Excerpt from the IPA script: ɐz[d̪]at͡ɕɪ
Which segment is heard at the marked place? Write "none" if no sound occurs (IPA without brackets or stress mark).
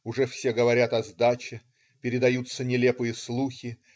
d̪